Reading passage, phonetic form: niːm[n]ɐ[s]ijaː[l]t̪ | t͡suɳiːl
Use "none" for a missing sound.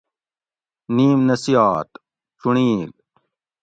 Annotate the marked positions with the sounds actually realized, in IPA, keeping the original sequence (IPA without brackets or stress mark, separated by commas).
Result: n, s, none